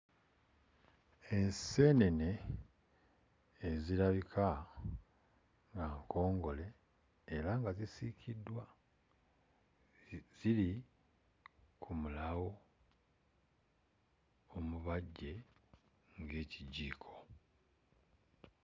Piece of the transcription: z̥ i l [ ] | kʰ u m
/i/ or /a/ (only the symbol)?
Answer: i